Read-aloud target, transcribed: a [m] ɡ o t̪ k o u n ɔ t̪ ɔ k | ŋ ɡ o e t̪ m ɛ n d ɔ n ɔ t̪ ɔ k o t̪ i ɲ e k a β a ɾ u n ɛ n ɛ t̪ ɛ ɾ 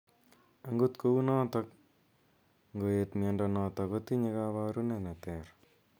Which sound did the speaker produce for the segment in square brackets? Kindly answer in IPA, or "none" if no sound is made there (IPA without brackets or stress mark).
ŋ